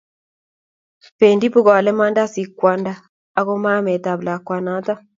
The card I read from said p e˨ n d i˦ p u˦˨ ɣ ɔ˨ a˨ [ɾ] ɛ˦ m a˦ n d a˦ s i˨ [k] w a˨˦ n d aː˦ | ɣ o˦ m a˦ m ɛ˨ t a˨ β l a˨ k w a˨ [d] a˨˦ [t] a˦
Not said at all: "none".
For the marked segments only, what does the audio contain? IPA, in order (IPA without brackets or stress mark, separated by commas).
l, k, n, t